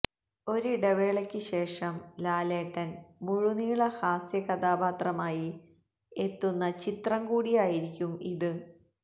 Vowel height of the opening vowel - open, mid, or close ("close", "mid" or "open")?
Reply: mid